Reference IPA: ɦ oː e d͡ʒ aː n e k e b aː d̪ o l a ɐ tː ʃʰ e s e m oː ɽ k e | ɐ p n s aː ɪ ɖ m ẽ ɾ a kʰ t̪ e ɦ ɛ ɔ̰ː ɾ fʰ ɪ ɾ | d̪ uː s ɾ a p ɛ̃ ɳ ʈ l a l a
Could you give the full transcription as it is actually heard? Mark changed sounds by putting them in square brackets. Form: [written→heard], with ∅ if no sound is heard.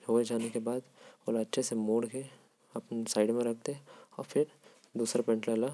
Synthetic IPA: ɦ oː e d͡ʒ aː n e k e b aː d̪ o l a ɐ tː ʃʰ e s e m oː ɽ k e | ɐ p n s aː ɪ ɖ m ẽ ɾ [a→ɐ] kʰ t̪ e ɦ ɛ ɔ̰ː ɾ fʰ ɪ ɾ | d̪ uː s ɾ a p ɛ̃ ɳ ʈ l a l a